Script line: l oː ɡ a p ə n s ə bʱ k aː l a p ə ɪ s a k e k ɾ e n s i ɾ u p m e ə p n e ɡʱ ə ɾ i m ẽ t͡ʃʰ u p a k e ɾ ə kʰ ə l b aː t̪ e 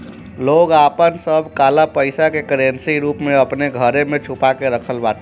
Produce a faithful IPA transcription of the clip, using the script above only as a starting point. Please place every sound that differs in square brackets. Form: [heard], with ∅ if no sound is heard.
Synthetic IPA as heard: l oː ɡ a p ə n s ə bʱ k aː l a p ə ɪ s a k e k ɾ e n s i ɾ u p m e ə p n e ɡʱ ə ɾ [e] m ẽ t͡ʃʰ u p a k e ɾ ə kʰ ə l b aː t̪ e